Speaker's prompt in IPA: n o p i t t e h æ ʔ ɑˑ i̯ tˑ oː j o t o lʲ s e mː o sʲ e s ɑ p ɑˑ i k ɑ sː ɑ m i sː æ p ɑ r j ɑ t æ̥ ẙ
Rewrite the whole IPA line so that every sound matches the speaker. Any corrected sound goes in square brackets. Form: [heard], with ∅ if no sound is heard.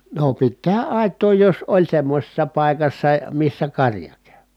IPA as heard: n o p i t t e h æ ʔ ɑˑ i̯ tˑ oː j o [s] o lʲ s e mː o sʲ e [sː] ɑ p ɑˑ i k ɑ sː ɑ m i sː æ [k] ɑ r j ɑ [k] æ̥ ẙ